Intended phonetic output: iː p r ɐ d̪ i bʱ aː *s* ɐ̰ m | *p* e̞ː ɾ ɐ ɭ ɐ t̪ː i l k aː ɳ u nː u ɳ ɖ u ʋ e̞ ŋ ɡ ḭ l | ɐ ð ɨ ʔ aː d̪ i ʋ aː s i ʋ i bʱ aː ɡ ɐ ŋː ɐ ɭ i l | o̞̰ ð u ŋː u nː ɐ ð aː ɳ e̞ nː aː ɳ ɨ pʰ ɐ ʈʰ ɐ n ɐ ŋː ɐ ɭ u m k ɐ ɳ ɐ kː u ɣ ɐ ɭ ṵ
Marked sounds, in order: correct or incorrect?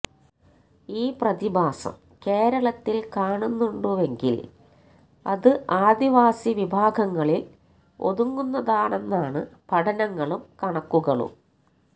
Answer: correct, incorrect

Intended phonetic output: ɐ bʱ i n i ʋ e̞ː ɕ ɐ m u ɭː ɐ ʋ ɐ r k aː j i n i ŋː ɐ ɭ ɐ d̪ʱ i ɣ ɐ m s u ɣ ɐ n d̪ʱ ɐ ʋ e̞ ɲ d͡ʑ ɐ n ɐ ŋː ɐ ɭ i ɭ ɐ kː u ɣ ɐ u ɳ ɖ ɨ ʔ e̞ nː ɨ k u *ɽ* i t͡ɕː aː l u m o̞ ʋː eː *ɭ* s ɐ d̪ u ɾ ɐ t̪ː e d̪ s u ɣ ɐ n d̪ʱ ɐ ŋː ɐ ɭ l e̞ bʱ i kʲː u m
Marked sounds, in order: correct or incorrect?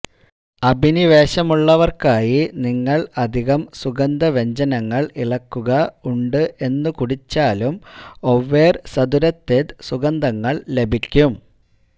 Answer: correct, incorrect

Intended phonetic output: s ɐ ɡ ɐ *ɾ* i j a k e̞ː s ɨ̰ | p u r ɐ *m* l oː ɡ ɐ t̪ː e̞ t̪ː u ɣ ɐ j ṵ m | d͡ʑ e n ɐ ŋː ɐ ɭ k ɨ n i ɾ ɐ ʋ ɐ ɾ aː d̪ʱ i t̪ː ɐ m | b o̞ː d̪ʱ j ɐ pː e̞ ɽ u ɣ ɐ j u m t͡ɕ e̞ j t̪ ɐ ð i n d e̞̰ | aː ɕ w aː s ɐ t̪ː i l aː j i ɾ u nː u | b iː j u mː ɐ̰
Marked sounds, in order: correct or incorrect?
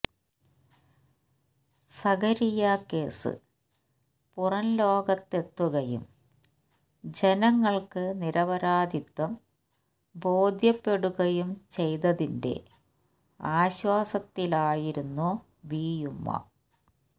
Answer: correct, incorrect

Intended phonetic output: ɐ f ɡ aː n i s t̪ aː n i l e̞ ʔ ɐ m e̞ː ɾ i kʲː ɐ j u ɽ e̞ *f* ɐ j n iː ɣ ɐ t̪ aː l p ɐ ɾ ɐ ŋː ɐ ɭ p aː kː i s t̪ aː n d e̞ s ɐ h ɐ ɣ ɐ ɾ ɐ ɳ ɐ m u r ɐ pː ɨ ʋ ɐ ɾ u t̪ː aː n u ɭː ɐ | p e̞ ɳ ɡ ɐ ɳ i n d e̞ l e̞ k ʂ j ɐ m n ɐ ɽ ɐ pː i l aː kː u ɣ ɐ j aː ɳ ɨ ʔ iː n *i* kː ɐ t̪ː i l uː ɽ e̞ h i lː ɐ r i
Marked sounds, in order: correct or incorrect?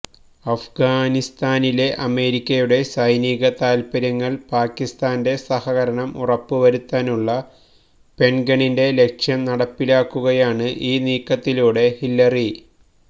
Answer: incorrect, incorrect

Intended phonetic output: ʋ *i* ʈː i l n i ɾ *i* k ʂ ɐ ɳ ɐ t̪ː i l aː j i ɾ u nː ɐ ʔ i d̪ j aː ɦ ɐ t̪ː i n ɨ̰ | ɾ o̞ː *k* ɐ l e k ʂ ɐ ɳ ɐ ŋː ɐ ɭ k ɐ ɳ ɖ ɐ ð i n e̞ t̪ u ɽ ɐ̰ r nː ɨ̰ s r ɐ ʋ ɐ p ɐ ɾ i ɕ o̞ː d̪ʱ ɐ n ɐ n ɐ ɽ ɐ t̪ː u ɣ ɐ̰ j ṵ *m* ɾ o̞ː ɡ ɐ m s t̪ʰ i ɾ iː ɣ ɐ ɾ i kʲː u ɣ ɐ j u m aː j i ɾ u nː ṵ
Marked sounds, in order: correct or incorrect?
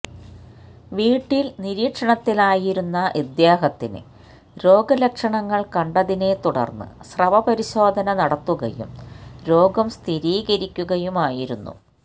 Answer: incorrect, incorrect, incorrect, correct

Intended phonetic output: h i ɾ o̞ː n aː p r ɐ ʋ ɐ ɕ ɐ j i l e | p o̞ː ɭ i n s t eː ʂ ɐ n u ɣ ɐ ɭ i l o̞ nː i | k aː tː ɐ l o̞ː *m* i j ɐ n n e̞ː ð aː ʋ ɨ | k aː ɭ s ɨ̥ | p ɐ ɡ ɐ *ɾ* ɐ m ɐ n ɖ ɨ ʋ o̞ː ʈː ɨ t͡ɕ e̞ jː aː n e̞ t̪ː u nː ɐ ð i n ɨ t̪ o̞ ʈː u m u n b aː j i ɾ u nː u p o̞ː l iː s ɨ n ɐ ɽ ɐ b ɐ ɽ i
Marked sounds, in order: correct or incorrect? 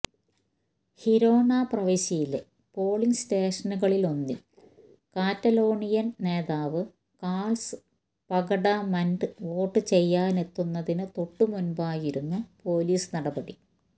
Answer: incorrect, incorrect

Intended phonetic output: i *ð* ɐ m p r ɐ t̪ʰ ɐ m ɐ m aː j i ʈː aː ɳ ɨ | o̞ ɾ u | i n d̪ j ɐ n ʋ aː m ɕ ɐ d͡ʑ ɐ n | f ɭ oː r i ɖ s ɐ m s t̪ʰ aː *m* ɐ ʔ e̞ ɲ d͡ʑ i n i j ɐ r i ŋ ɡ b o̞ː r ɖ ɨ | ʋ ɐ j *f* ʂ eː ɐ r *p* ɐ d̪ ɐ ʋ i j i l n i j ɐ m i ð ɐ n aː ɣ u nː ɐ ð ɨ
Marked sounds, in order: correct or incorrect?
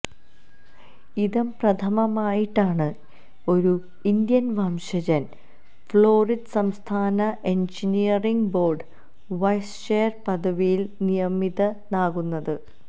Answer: correct, incorrect, incorrect, correct

